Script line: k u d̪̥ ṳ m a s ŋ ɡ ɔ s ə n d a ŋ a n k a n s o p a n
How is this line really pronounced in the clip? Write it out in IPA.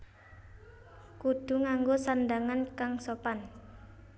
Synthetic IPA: k u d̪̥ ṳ ŋ a ŋ ɡ o s a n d a ŋ a n k a ŋ s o p a n